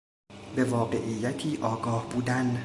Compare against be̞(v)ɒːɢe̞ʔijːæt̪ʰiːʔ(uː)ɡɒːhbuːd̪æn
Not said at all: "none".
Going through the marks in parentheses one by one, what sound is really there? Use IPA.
v, ɒː

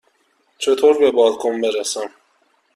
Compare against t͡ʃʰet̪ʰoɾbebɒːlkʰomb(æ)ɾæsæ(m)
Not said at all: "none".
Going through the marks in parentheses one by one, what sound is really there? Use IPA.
e, m

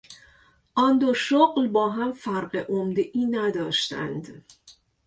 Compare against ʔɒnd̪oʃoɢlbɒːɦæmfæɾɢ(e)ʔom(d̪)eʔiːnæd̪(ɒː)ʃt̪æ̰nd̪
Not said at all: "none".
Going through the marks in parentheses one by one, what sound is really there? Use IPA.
e, d̪, ɒː

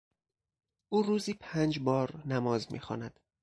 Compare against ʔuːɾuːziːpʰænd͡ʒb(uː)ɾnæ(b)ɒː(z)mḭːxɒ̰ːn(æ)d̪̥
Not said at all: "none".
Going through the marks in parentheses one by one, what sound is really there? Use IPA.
ɒː, m, z, æ

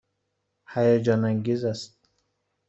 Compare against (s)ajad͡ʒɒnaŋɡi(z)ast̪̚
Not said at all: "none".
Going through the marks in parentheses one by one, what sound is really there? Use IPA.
h, z

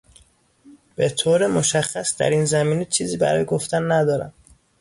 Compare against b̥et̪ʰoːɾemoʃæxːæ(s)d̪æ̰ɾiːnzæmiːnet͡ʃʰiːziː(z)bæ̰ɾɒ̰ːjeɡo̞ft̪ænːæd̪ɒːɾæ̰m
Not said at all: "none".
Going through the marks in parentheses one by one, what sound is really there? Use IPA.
s, none

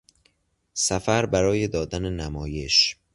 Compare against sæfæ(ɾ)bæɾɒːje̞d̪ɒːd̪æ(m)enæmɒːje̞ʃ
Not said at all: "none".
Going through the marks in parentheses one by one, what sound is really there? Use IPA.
ɾ, n

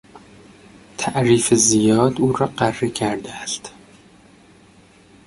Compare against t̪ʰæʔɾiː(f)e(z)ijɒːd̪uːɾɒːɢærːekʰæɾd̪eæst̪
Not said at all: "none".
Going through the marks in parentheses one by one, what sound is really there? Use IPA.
f, z

